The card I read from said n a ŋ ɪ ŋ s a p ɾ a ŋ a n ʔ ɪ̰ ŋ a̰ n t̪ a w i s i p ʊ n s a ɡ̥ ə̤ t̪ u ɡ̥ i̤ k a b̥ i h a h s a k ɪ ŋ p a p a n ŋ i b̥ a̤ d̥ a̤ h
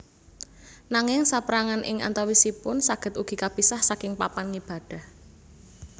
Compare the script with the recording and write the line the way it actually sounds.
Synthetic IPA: n a ŋ ɪ ŋ s a p ɾ a ŋ a n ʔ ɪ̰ ŋ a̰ n t̪ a w i s i p ʊ n s a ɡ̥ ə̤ t̪ u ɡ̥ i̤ k a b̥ i s a h s a k ɪ ŋ p a p a n ŋ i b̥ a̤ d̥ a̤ h